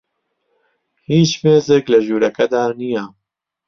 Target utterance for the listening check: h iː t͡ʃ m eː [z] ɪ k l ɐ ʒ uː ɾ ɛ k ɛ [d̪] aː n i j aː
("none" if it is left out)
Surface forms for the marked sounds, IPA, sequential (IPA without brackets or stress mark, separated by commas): z, d̪